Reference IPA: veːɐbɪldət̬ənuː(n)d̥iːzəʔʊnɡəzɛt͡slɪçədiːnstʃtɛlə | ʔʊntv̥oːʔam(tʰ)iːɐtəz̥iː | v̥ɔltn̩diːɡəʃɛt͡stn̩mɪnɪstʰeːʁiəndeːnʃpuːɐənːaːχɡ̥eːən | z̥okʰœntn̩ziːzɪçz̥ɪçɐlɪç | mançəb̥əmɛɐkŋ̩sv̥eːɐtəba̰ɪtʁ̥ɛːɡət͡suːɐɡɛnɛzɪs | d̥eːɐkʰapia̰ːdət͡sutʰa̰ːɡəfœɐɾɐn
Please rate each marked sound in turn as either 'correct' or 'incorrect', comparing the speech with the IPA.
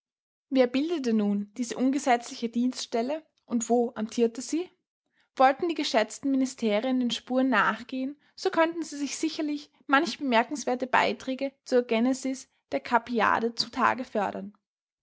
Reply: correct, correct

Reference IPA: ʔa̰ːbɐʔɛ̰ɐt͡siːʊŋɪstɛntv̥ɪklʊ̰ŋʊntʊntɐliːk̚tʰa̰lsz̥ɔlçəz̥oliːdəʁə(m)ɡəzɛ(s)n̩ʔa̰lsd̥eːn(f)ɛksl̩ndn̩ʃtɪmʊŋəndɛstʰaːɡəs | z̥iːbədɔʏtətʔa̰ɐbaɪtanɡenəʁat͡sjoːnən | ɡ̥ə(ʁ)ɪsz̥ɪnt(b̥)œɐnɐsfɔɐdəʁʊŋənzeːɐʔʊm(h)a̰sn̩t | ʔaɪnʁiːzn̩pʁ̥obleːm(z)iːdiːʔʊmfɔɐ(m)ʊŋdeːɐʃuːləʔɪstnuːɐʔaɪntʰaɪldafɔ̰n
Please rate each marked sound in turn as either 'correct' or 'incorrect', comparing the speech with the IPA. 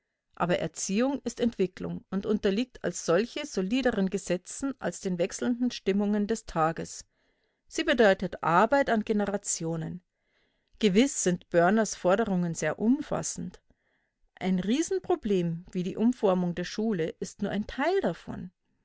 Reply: incorrect: n, incorrect: t͡s, incorrect: v, incorrect: v, correct, incorrect: f, incorrect: v, correct

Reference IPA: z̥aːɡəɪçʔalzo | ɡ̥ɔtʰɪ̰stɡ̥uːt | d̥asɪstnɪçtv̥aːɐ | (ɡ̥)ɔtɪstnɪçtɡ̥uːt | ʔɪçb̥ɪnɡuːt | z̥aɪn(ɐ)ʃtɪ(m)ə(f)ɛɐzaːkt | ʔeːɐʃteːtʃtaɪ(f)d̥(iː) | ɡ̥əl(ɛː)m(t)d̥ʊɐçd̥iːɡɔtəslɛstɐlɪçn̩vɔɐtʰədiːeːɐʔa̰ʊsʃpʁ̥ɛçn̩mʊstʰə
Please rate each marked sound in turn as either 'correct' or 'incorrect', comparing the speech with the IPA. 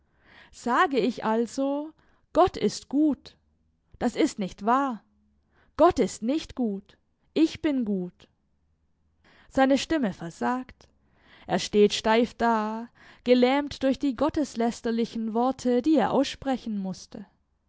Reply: correct, incorrect: ə, correct, correct, correct, incorrect: aː, correct, correct

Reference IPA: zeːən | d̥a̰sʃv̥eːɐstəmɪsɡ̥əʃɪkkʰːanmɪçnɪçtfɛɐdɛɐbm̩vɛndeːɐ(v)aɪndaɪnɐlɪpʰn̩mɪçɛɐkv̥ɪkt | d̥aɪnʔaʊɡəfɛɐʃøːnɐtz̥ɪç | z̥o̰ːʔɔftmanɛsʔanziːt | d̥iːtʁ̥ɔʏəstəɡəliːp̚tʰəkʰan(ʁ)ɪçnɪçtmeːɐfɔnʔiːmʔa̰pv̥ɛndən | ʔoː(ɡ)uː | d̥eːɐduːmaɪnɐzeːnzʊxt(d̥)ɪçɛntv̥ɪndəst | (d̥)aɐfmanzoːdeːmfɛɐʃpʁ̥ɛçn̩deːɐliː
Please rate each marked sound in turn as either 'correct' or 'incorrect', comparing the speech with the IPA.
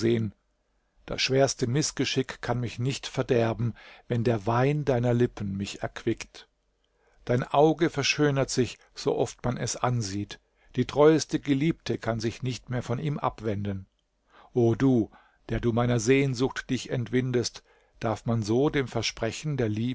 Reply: correct, incorrect: z, incorrect: d, correct, correct

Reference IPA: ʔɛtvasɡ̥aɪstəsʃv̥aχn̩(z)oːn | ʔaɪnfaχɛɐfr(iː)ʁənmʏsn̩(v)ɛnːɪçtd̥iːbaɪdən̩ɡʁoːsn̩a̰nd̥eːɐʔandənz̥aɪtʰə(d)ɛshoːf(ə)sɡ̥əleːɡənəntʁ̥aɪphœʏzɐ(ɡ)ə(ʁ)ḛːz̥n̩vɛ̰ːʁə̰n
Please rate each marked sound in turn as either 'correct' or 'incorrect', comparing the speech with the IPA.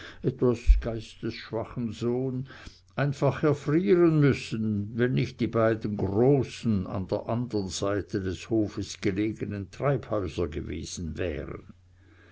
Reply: correct, correct, correct, correct, correct, correct, incorrect: v

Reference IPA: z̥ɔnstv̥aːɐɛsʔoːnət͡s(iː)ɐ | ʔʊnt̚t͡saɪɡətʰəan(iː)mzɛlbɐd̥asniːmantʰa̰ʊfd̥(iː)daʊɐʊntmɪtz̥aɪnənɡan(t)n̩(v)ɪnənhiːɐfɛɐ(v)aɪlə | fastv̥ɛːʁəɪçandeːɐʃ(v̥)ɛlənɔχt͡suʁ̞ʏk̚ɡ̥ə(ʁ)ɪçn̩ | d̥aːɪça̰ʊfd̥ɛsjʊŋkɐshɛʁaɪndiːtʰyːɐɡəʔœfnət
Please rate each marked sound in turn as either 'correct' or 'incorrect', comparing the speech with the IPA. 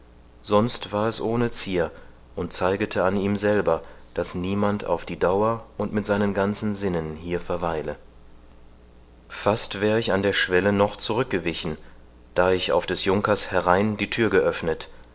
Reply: correct, correct, correct, incorrect: t͡s, incorrect: z, correct, correct, incorrect: v

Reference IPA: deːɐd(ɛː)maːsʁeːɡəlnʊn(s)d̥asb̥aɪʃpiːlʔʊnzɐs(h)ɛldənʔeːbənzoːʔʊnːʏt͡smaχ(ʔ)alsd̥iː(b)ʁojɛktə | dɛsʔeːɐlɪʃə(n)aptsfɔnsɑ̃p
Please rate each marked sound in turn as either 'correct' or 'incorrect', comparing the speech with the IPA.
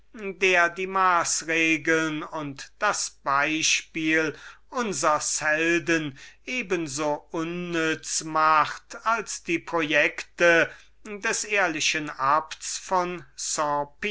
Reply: incorrect: iː, incorrect: t, correct, incorrect: t, incorrect: p, correct

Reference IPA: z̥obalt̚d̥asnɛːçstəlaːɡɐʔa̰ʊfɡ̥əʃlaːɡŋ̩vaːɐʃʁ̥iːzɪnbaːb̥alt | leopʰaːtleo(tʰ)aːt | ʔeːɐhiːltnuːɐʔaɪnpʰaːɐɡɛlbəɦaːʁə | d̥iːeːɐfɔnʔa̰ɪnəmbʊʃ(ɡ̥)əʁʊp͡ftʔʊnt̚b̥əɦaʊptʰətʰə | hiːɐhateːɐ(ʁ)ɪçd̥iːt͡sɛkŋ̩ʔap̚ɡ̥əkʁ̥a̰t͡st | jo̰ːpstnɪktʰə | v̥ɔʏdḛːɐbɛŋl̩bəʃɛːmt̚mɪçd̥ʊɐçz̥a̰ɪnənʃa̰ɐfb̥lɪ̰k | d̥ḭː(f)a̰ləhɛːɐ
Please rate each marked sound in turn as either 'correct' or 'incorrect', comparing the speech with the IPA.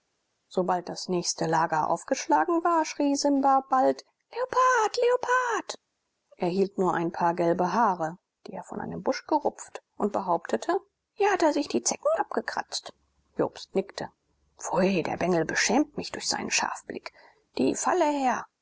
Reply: incorrect: pʰ, correct, incorrect: z, correct

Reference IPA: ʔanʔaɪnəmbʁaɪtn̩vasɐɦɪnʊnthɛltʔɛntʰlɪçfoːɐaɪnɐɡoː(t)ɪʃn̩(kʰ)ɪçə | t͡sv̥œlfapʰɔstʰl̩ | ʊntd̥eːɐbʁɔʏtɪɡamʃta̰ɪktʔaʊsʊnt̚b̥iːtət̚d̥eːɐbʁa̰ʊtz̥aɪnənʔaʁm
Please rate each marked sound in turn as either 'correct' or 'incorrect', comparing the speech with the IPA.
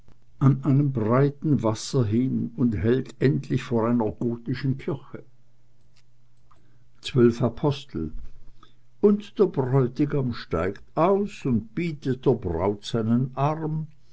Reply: correct, correct

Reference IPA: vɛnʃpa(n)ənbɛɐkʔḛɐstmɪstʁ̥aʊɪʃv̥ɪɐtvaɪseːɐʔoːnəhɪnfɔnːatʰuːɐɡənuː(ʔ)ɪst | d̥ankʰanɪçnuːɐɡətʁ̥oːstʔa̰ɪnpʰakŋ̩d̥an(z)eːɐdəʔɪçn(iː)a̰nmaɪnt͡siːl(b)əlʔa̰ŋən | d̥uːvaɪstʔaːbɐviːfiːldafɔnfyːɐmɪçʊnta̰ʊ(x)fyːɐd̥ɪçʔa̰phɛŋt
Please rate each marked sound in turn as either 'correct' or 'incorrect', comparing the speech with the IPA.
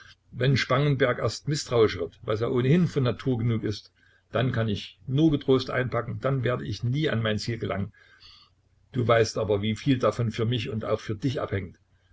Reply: incorrect: ŋ, incorrect: k, incorrect: v, correct, incorrect: ɡ, correct

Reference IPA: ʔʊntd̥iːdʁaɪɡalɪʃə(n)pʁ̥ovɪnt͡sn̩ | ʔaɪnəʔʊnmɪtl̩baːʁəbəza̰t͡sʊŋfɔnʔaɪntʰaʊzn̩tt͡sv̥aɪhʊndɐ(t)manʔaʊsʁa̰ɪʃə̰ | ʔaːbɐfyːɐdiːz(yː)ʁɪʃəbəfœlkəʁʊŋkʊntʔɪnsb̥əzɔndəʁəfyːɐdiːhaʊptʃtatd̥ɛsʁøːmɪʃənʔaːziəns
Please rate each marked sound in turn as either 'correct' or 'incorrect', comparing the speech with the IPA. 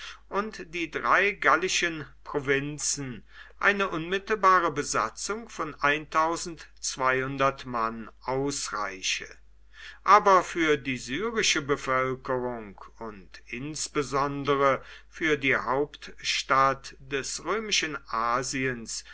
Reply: correct, correct, correct

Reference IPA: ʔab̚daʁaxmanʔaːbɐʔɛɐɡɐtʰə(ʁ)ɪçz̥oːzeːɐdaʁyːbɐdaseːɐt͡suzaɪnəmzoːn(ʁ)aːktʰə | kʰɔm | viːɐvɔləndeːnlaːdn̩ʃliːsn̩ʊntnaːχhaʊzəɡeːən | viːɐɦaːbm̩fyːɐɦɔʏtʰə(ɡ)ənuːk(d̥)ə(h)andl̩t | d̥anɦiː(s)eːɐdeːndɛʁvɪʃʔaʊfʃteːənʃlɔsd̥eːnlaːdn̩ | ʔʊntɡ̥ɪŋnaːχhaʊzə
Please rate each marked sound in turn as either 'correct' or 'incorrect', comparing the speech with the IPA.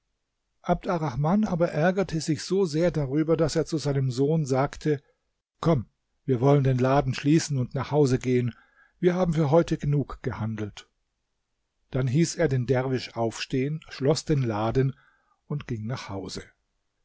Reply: incorrect: z, incorrect: z, correct, incorrect: ɡ̥, correct, correct

